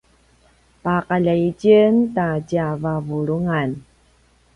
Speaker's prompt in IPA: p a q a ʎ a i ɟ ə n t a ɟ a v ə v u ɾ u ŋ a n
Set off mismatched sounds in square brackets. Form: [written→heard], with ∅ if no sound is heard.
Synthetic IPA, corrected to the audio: p a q a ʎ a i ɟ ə n t a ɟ a v [ə→a] v u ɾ u ŋ a n